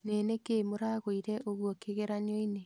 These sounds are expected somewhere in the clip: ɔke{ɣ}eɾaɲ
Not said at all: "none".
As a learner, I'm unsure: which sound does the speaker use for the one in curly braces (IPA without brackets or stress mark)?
ɣ